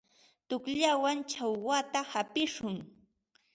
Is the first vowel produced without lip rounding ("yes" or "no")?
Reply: no